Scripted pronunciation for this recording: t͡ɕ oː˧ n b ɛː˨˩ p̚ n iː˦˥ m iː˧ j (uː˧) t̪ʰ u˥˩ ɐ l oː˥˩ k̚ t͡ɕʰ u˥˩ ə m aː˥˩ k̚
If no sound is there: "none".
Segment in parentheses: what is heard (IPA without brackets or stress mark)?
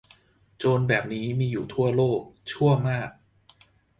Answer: uː˨˩